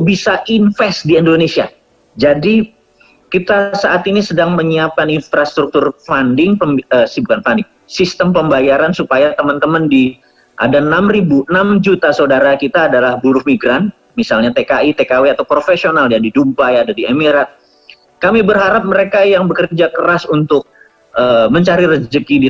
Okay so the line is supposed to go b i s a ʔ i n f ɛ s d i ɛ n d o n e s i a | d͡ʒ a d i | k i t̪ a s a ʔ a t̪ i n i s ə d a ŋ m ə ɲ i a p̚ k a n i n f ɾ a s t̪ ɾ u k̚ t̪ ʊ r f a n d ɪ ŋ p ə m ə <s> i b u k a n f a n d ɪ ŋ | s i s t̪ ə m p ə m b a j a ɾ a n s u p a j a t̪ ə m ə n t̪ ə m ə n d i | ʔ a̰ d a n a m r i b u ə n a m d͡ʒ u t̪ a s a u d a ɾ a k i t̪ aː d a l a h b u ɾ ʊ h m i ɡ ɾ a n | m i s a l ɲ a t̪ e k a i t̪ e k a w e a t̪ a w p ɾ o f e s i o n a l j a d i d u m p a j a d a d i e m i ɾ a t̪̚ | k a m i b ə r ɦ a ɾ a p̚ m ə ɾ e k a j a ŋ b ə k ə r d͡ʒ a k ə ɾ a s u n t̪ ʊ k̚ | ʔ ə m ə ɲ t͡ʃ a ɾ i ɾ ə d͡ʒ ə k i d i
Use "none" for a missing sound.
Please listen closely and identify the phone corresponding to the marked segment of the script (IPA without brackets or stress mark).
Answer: s